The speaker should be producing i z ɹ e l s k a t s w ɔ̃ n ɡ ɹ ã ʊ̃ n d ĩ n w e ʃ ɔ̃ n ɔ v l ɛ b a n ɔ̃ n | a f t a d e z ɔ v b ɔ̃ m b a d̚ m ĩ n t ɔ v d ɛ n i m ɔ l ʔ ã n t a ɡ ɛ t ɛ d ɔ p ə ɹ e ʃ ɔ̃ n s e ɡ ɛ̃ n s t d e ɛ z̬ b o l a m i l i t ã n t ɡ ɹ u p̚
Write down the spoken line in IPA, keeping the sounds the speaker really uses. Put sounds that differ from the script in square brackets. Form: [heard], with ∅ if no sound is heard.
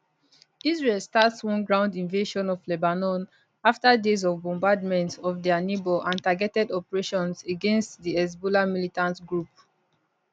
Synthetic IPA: i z ɹ e l s [t] a t s w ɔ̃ n ɡ ɹ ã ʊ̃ n d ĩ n [v] e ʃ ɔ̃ n ɔ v l ɛ b a n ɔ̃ n | a f t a d e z ɔ v b ɔ̃ m b a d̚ m [ɛ̃] n t ɔ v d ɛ n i [b] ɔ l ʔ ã n t a ɡ ɛ t ɛ d ɔ p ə ɹ e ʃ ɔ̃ n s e ɡ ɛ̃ n s t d [i] ɛ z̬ b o l a m i l i t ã n t ɡ ɹ u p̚